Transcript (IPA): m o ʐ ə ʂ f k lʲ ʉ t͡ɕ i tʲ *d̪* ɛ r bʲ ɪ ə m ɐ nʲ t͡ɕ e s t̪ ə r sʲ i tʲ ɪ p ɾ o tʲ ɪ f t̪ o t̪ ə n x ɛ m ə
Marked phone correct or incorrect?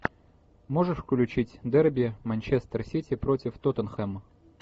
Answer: correct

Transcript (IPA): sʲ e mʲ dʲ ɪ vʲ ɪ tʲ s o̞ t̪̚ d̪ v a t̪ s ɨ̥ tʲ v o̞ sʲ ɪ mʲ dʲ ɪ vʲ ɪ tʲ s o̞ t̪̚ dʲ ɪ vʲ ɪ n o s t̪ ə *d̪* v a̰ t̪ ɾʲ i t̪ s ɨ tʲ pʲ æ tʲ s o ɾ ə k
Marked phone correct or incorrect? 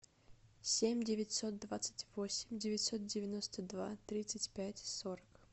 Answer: correct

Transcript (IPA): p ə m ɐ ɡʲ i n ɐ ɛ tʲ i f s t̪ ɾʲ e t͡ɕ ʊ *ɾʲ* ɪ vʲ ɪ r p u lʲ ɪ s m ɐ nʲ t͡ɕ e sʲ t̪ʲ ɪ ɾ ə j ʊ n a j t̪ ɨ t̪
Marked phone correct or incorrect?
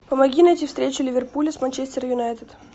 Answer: incorrect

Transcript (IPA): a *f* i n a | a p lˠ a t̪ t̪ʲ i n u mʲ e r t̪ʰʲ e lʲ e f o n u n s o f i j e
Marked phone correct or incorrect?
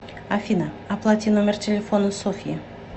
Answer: correct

